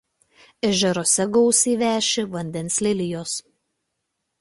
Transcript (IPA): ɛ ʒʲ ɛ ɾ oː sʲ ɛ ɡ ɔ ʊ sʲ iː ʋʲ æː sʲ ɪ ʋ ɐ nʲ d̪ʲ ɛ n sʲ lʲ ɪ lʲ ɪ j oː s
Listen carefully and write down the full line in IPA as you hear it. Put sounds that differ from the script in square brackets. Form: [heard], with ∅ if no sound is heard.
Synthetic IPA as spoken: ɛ ʒʲ ɛ ɾ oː sʲ ɛ ɡ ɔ ʊ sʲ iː ʋʲ æː [ʃʲ] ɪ ʋ ɐ nʲ d̪ʲ ɛ n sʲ lʲ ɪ lʲ ɪ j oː s